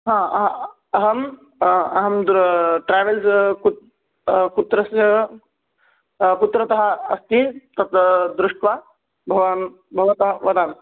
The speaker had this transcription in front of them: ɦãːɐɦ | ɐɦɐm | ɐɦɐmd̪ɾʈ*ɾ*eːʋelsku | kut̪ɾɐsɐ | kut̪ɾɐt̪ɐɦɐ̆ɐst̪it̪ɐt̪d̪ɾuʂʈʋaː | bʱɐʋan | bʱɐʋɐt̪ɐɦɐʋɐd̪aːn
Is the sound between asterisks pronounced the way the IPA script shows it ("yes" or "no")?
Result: yes